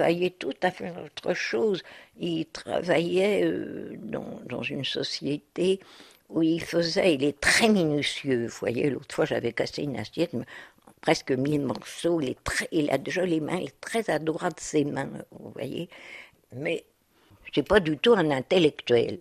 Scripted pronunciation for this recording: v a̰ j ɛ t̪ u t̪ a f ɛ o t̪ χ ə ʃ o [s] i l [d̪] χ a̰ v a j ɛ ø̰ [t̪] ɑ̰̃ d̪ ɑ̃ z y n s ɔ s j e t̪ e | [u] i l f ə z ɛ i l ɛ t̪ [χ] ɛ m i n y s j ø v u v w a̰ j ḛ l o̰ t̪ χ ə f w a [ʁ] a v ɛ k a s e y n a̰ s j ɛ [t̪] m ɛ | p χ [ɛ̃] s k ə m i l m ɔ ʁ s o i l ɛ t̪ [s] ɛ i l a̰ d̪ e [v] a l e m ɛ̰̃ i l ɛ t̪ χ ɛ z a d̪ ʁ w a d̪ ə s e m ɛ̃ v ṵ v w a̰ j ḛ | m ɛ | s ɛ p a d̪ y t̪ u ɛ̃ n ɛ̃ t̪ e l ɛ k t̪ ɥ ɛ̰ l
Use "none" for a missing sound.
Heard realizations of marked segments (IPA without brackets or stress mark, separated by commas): z, t̪, d̪, u, χ, ʒ, t̪, ɛ, χ, ʒ